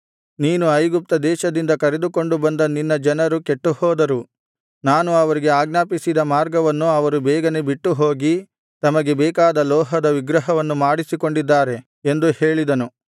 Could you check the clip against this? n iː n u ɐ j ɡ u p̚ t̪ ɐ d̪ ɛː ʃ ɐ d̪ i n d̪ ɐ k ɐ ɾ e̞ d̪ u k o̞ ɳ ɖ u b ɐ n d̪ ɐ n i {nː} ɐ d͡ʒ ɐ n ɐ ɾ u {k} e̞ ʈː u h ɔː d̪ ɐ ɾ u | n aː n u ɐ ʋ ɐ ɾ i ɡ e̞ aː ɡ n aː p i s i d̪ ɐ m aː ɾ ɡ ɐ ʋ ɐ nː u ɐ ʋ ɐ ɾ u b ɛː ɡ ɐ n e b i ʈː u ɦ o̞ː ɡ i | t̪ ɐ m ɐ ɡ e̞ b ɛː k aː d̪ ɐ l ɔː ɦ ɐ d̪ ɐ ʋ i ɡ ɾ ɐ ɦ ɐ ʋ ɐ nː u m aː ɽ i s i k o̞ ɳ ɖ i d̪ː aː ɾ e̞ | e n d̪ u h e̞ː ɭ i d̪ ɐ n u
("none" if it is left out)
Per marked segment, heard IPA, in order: nː, k

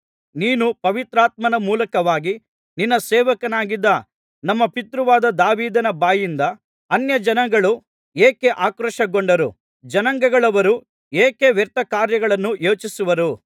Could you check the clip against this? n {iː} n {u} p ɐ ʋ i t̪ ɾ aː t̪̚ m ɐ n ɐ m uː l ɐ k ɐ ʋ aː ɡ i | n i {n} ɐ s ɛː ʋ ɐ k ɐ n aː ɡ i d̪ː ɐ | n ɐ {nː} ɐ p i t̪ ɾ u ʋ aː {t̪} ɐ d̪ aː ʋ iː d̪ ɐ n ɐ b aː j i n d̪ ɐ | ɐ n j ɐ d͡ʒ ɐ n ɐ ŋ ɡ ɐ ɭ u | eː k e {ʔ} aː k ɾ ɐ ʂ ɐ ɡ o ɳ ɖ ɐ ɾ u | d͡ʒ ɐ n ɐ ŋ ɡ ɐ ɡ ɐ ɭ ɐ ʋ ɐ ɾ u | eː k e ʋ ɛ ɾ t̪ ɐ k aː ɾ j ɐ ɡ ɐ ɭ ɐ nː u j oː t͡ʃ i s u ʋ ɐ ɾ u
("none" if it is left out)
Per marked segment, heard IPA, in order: iː, u, nː, mː, d̪, ʔ

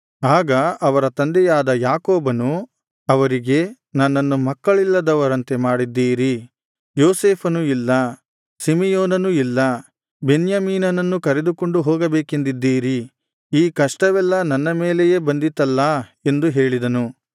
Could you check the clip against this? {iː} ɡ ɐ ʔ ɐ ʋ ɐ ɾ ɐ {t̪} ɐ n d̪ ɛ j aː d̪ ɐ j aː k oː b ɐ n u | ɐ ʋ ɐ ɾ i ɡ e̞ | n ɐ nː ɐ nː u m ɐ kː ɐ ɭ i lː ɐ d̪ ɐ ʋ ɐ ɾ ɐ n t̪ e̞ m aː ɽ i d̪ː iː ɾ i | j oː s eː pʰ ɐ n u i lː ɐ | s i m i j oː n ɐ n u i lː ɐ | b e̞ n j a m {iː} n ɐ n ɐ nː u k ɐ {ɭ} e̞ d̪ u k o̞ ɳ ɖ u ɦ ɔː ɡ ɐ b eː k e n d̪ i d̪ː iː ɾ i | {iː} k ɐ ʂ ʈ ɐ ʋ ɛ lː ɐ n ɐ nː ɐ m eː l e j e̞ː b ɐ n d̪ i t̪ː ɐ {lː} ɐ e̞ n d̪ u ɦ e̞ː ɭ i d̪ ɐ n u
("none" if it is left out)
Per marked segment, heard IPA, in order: aː, t̪, iː, ɾ, iː, lː

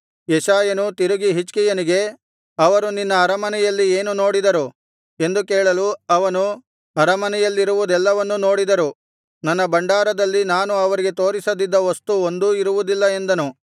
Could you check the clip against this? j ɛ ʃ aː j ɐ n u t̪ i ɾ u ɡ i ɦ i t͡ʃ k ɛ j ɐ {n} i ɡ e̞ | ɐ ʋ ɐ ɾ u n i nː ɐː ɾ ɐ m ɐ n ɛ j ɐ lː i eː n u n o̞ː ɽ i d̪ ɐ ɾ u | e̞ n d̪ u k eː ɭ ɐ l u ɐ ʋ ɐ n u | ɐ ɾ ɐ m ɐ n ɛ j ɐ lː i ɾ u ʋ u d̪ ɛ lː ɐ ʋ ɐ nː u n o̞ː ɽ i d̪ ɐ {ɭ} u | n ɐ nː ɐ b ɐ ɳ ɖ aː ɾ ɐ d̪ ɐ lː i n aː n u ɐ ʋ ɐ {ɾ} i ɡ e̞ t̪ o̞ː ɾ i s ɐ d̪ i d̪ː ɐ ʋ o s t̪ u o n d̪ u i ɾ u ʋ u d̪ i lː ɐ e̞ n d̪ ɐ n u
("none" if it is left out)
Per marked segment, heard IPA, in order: n, ɾ, ɾ

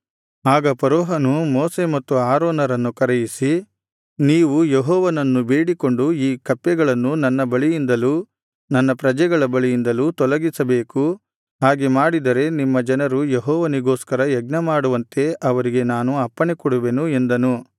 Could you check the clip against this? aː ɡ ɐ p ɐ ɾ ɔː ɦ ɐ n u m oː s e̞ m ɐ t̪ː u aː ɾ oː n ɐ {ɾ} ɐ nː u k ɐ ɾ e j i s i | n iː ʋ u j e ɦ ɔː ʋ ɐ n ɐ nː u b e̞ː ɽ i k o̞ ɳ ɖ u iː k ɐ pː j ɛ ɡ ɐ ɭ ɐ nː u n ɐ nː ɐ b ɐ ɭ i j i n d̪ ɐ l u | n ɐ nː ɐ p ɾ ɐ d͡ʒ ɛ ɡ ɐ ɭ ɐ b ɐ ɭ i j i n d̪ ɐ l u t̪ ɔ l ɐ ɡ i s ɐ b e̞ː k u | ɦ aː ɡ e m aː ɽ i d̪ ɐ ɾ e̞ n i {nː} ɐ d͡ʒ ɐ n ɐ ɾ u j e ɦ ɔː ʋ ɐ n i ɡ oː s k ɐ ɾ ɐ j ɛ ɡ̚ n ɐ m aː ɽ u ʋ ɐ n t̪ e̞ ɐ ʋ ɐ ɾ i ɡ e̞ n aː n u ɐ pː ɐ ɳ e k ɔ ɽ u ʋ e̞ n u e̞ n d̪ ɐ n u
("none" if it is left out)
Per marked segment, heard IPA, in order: ɾ, mː

